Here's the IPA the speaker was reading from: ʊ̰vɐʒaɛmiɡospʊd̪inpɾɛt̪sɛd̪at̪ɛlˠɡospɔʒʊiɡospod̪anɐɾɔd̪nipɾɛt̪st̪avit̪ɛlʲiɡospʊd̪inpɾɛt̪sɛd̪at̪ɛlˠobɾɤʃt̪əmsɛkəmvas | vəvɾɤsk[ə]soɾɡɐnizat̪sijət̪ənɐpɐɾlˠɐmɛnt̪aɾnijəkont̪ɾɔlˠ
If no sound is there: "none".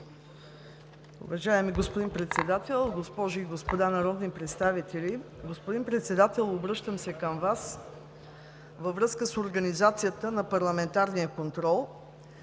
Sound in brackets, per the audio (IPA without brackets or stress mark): ə